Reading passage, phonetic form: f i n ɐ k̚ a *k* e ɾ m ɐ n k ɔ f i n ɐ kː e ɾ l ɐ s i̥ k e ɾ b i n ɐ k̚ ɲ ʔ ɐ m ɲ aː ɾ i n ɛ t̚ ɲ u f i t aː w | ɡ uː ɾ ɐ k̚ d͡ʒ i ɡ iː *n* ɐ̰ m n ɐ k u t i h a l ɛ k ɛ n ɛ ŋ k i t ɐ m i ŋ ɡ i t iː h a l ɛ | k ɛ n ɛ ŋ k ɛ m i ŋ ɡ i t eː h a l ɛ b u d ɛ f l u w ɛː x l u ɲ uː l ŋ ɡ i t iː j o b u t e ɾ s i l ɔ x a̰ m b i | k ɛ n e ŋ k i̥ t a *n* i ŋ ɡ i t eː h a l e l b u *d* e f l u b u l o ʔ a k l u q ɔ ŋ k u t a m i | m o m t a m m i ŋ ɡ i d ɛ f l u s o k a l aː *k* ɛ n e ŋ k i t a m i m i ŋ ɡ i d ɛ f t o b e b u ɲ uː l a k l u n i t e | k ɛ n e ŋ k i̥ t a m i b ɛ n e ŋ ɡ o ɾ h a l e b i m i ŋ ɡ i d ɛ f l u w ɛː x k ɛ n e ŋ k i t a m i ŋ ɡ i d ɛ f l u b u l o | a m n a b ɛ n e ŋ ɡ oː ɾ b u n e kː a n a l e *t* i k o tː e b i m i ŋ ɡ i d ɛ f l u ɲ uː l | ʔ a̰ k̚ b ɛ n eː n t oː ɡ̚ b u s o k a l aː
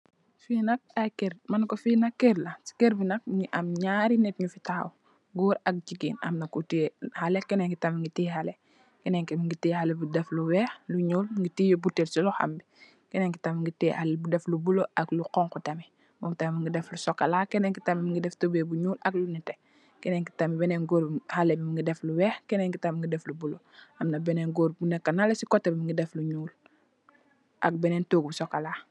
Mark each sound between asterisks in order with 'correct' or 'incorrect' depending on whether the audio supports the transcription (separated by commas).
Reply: correct, correct, incorrect, correct, correct, incorrect